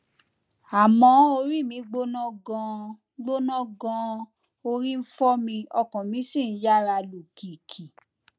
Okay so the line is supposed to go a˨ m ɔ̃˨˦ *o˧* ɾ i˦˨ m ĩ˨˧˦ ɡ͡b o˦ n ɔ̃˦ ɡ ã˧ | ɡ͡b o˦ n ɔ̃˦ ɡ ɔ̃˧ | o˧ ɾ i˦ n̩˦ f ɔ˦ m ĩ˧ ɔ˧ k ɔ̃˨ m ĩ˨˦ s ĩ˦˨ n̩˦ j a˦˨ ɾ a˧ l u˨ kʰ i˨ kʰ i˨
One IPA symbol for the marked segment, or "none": o˧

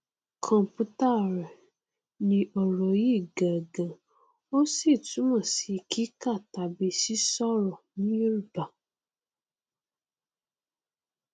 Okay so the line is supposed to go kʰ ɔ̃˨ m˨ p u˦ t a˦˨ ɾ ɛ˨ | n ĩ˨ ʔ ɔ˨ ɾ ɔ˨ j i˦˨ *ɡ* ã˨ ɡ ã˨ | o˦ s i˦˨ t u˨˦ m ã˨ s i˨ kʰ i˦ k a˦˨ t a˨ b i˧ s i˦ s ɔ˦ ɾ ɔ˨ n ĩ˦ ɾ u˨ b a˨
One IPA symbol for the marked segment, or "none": ɡ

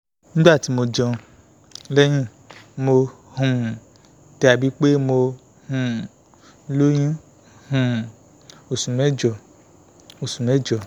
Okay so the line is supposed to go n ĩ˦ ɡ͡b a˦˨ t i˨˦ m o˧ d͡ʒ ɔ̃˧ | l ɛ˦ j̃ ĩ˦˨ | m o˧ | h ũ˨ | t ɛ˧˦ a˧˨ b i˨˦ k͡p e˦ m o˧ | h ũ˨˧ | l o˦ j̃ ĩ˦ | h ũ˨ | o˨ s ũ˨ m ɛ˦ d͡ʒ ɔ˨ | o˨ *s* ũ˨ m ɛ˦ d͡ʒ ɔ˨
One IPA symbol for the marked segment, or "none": s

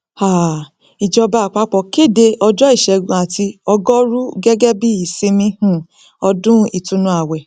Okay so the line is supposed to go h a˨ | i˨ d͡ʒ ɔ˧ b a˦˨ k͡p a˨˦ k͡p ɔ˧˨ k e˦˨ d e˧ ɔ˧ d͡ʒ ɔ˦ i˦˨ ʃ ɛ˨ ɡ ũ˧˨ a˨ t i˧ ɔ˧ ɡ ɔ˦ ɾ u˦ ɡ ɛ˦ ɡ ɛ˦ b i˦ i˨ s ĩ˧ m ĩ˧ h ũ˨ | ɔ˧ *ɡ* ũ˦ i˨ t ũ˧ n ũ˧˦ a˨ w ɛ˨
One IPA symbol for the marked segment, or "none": d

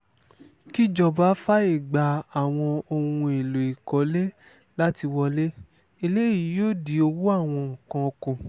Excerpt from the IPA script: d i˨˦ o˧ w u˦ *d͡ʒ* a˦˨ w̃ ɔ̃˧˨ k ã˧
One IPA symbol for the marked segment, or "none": none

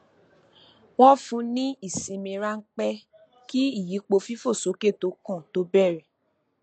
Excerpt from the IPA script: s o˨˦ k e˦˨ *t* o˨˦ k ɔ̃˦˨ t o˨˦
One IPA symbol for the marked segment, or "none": t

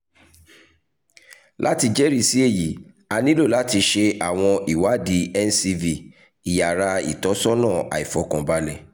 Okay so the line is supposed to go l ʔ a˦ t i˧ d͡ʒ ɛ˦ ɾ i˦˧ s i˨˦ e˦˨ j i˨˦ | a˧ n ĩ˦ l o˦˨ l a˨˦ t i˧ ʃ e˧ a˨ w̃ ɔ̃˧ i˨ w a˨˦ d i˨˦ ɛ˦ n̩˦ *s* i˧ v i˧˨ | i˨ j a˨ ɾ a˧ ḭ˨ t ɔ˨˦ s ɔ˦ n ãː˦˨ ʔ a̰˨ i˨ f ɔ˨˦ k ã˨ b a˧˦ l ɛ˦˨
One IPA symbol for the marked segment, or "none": s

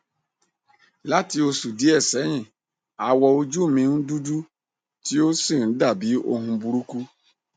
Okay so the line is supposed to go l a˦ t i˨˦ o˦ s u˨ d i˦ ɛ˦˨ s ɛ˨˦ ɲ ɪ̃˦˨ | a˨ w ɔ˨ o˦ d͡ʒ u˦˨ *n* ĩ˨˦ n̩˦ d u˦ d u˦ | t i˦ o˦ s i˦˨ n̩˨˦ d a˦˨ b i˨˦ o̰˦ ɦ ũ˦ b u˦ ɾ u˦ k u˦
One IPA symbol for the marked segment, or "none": m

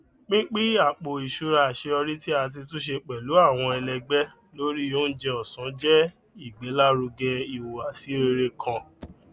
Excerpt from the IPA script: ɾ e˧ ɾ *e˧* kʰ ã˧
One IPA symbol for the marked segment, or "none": e˧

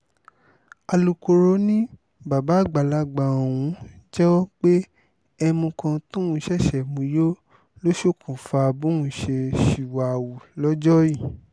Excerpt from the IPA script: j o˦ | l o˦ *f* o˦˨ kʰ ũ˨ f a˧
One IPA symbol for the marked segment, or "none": ʃ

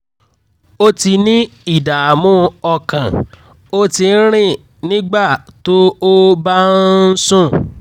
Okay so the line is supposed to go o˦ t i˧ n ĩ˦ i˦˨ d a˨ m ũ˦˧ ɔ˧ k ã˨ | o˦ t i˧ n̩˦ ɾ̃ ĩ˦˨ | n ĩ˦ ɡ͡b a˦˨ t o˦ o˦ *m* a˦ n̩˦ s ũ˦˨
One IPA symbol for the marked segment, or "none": b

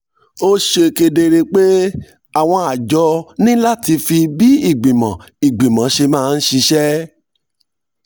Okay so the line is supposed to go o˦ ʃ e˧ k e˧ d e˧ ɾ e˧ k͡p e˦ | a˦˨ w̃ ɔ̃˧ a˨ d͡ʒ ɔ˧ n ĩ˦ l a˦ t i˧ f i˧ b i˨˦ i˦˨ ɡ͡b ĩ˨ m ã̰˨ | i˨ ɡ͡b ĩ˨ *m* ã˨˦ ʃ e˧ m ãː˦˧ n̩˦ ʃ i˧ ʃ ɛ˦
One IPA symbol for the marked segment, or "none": m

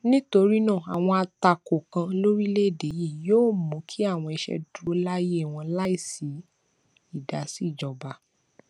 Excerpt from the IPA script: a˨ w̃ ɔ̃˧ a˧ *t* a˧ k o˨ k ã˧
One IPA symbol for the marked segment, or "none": t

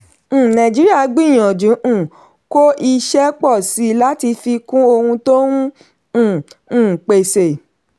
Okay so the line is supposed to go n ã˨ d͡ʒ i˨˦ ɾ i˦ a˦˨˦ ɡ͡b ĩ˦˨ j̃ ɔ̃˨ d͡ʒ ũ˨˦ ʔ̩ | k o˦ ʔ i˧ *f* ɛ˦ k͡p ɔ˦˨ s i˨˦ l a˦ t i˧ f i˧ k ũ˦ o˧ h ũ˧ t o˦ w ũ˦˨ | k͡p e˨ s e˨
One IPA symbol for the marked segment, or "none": ʃ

